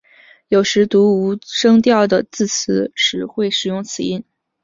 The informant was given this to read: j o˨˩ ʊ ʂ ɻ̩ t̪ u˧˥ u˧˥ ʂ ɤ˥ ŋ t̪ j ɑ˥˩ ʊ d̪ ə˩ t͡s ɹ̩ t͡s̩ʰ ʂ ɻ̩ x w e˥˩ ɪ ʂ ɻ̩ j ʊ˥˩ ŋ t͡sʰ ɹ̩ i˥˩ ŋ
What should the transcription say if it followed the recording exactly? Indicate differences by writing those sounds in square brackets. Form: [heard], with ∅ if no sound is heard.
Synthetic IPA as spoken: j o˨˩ ʊ ʂ ɻ̩ t̪ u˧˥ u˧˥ ʂ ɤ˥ ŋ t̪ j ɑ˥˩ ʊ d̪ ə˩ t͡s ɹ̩ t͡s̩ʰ ʂ ɻ̩ x w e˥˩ ɪ ʂ ɻ̩ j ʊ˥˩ ŋ t͡sʰ ɹ̩ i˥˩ [n]